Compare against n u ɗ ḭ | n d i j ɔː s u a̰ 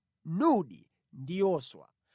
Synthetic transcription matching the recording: n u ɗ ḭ | n d i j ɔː s w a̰